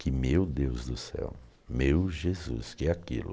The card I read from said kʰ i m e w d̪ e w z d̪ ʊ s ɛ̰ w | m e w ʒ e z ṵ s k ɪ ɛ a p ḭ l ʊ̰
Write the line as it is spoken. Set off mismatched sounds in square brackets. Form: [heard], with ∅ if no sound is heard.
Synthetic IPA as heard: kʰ [ɪ] m e w d̪ e w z d̪ ʊ s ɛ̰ w | m e w ʒ e z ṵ s k ɪ ɛ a [k] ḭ l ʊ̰